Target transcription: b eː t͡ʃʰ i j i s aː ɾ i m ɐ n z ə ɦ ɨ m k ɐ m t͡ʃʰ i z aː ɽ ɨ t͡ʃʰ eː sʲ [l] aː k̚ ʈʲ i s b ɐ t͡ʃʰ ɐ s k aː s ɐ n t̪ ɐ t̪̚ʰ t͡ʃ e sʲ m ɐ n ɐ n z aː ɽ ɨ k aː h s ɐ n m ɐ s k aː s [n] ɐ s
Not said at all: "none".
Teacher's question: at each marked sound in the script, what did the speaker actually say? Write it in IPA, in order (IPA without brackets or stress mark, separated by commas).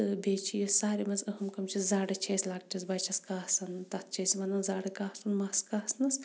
l, n